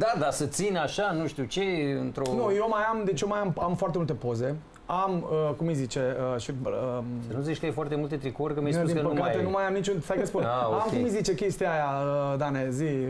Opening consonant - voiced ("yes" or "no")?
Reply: yes